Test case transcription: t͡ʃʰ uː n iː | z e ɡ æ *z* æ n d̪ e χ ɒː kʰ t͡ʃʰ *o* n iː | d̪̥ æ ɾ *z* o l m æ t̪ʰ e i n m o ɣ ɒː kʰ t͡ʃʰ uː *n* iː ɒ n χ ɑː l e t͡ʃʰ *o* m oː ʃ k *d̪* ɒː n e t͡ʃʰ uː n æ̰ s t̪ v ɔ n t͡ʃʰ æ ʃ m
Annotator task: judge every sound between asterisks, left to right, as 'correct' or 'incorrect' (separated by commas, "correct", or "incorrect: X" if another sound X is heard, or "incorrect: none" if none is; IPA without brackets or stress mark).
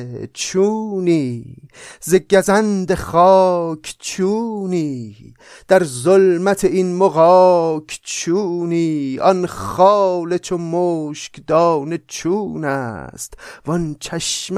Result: correct, incorrect: u, correct, correct, correct, correct